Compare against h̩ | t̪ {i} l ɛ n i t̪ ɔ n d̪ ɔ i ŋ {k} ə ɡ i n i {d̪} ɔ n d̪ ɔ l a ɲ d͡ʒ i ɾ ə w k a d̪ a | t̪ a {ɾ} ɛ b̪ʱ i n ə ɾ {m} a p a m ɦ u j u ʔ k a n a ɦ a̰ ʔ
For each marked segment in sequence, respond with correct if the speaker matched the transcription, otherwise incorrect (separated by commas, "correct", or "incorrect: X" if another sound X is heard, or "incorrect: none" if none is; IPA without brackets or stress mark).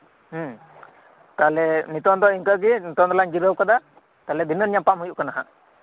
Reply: incorrect: a, correct, incorrect: t̪, incorrect: l, incorrect: ɲ